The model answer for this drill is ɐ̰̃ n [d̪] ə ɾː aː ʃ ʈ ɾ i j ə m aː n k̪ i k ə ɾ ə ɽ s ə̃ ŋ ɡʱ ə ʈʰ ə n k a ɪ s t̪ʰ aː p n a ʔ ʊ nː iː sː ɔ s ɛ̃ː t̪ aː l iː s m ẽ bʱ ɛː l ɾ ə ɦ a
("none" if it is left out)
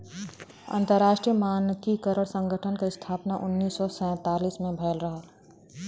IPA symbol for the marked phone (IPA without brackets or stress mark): t̪